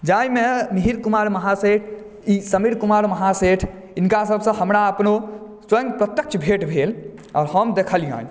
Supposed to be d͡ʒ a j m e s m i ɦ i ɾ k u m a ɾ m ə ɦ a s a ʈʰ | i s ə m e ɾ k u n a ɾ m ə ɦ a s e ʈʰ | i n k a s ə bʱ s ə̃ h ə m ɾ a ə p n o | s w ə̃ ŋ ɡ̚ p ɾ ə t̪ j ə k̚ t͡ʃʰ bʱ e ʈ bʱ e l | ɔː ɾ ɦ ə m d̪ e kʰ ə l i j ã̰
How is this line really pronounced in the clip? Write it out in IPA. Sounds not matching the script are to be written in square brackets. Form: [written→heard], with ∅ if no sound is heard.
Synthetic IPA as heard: d͡ʒ a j m e [s→∅] m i ɦ i ɾ k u m a ɾ m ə ɦ a s [a→e] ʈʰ | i s ə m [e→i] ɾ k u [n→m] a ɾ m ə ɦ a s e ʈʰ | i n k a s ə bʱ s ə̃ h ə m ɾ a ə p n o | s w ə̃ ŋ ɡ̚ p ɾ ə t̪ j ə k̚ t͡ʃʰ bʱ e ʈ bʱ e l | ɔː ɾ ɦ ə m d̪ e kʰ ə l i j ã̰

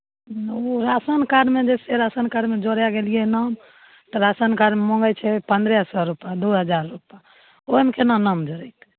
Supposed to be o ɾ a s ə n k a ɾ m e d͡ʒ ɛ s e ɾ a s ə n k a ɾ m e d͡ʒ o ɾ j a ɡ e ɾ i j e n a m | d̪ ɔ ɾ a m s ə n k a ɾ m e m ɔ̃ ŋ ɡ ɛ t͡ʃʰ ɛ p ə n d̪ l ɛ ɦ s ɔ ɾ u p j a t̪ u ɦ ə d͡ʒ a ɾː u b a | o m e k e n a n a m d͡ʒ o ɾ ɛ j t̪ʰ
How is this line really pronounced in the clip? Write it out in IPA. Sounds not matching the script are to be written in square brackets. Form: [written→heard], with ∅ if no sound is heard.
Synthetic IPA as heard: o ɾ a s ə n k a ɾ m e d͡ʒ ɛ s e ɾ a s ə n k a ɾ m e d͡ʒ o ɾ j a ɡ e [ɾ→l] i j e n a m | [d̪→t̪] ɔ ɾ a [m→∅] s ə n k a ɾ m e m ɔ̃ ŋ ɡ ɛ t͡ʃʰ ɛ p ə n d̪ [l→ɾ] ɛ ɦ s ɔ ɾ u p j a [t̪→d̪] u ɦ ə d͡ʒ a ɾː u [b→p] a | o m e k e n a n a m d͡ʒ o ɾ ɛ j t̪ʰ

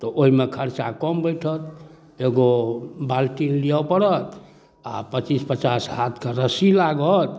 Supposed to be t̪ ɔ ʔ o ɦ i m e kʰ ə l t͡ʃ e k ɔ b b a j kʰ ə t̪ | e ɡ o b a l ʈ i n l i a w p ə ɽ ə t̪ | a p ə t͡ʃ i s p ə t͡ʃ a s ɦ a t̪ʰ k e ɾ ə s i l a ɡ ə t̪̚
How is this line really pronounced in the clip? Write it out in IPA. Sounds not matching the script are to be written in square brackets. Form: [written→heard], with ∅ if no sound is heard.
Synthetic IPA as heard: t̪ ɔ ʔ o ɦ i m e kʰ ə [l→ɾ] t͡ʃ [e→a] k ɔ [b→m] b [a→ə] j [kʰ→ʈʰ] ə t̪ | e ɡ o b a l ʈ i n l i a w p ə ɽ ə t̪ | a p ə t͡ʃ i s p ə t͡ʃ a s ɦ a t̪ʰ k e ɾ ə s i l a ɡ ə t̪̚

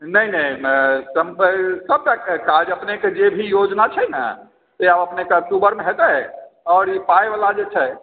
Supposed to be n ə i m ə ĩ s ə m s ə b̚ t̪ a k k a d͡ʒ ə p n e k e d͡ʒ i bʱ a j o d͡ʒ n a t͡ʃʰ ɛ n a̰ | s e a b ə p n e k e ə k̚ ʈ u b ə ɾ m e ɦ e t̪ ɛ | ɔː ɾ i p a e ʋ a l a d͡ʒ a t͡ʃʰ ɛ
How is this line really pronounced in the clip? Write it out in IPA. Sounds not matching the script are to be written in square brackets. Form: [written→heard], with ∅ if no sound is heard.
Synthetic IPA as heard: n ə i [m→n] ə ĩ s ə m s ə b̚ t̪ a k k a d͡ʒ ə p n e k e d͡ʒ [i→e] bʱ [a→i] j o d͡ʒ n a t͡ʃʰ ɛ n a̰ | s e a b ə p n e k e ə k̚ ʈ u b ə ɾ m e ɦ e t̪ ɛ | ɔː ɾ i p a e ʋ a l a d͡ʒ [a→e] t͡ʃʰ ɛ

